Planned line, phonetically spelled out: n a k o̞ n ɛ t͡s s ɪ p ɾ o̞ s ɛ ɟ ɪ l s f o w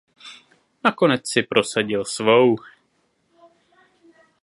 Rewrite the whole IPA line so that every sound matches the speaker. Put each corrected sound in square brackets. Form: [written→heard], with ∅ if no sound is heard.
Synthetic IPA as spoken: n a k o̞ n ɛ t͡s s ɪ p ɾ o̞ s [ɛ→a] ɟ ɪ l s [f→v] o w